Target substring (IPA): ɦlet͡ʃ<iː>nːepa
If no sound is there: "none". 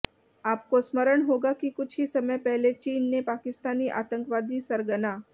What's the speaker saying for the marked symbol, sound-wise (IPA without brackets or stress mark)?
iː